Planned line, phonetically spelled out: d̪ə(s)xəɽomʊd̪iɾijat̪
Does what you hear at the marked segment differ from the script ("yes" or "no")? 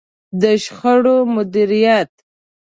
yes